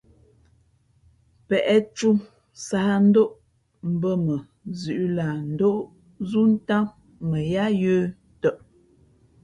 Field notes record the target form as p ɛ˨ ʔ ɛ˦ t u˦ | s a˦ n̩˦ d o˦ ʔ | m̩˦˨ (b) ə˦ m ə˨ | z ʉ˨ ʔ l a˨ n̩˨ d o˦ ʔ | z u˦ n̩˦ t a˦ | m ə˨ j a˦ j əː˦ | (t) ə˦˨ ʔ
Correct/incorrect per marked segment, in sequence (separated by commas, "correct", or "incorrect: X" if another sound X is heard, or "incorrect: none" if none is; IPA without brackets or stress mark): correct, correct